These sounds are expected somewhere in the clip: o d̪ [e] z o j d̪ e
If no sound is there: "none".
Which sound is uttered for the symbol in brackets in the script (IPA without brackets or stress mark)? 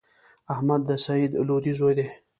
i